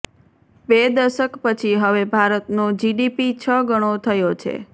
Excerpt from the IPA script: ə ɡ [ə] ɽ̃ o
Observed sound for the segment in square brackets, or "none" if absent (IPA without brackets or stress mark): ə